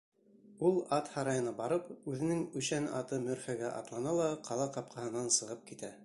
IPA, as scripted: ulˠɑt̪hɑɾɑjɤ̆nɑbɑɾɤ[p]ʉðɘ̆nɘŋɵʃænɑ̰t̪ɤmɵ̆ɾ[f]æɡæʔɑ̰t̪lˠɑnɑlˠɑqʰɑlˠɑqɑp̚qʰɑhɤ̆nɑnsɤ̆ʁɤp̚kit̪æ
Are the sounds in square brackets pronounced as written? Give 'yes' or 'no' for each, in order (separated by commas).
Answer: yes, yes